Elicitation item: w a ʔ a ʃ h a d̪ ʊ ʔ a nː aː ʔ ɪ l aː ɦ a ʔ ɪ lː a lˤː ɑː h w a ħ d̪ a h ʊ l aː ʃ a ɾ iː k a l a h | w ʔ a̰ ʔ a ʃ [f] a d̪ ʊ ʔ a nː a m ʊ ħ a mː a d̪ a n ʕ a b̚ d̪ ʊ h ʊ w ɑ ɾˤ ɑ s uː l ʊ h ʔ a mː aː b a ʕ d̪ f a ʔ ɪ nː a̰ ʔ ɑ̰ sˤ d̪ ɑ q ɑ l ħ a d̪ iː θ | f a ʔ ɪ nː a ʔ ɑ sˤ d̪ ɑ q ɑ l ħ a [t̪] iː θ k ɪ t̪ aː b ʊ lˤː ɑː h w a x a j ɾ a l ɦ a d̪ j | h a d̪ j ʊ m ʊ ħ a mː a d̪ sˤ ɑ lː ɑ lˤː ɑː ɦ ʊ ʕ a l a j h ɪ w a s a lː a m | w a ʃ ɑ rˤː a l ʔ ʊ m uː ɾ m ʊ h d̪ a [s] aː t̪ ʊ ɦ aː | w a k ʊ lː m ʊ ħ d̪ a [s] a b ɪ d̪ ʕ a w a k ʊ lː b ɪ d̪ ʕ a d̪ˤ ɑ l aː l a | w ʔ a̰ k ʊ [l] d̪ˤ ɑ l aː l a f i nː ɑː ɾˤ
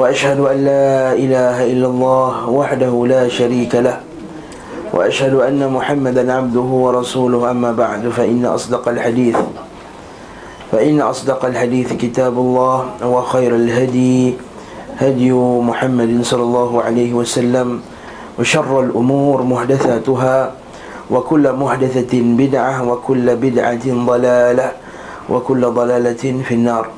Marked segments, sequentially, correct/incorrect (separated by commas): incorrect, incorrect, incorrect, incorrect, incorrect